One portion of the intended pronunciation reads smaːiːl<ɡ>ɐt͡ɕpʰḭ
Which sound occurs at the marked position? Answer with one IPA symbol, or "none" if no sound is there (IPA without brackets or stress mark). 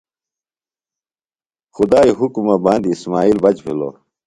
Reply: b